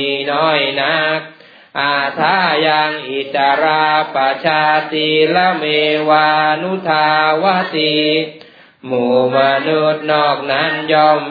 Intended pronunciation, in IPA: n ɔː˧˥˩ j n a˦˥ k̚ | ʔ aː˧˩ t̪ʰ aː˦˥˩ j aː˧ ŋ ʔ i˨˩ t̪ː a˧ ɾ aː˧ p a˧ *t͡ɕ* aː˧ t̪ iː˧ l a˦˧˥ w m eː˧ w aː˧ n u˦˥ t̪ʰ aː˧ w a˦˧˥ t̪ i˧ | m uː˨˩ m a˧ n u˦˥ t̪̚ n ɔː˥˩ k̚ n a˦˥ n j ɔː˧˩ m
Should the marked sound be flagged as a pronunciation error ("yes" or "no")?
yes